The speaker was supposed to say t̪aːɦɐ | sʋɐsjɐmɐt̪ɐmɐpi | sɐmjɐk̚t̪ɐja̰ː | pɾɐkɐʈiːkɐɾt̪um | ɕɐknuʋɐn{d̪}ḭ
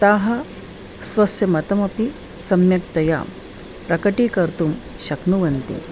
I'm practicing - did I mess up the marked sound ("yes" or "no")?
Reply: yes